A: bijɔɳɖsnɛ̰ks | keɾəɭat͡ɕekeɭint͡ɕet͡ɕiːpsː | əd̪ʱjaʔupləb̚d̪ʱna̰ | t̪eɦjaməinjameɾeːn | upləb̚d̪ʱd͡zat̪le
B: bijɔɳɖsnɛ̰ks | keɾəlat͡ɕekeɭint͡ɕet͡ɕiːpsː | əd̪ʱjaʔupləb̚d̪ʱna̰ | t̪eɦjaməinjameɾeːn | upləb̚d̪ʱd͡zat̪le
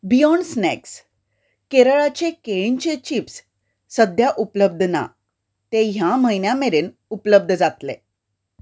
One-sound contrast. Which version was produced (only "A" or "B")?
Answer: A